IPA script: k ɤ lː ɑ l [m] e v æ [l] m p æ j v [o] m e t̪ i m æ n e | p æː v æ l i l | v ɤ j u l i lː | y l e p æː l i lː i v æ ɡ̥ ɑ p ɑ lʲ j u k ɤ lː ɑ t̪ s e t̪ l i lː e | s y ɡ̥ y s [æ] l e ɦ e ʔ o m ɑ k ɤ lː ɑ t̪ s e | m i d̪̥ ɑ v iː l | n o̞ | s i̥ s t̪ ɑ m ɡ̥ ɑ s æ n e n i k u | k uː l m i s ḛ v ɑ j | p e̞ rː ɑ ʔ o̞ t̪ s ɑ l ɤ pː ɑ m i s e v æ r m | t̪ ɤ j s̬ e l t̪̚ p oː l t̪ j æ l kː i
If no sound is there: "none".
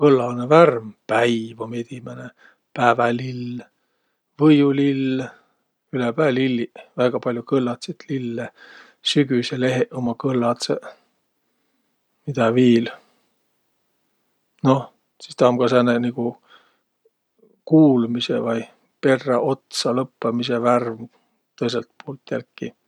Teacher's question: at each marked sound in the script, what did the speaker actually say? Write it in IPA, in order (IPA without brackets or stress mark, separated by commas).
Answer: n, r, o, e